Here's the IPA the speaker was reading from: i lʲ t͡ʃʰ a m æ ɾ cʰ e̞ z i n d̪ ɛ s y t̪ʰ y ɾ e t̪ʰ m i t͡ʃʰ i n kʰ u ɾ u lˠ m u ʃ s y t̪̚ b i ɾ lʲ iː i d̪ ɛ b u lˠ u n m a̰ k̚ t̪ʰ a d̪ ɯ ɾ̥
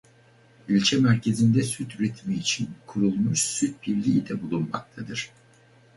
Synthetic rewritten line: i lʲ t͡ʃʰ ɛ m æ ɾ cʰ e̞ z i n d̪ ɛ s y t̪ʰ y ɾ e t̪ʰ m iː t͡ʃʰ i n kʰ u ɾ u lˠ m u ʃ s y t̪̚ b i ɾ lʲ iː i d̪ ɛ b u lˠ u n m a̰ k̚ t̪ʰ a d̪ ɯ ɾ̥